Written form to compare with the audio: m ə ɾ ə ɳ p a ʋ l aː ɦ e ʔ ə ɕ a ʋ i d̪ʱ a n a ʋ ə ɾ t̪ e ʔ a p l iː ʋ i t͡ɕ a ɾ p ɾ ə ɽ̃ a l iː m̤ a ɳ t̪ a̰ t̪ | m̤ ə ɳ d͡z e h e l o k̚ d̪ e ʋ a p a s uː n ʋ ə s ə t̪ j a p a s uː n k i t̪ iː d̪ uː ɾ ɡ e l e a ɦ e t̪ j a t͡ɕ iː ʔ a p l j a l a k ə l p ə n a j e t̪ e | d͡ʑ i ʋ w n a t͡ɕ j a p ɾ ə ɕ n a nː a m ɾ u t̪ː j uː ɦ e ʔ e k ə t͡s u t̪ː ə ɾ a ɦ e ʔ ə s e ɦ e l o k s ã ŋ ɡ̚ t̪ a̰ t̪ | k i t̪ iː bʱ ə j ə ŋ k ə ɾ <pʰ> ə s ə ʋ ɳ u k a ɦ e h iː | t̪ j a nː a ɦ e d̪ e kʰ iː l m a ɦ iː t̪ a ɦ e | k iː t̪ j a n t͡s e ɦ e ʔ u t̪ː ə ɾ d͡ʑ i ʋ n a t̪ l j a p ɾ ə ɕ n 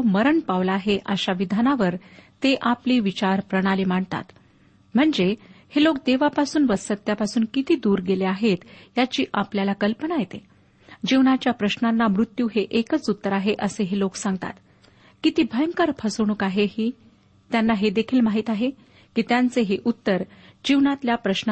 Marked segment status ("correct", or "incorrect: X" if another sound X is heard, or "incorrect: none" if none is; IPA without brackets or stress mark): correct